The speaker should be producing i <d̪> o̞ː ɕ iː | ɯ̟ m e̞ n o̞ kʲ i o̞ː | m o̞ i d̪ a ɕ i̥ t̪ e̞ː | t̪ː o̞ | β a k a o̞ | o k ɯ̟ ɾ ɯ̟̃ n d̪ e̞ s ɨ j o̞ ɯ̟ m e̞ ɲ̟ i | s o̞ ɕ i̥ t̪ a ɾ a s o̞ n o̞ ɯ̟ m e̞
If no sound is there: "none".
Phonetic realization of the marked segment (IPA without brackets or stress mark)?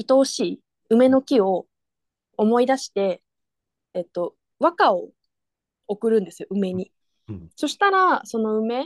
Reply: t̪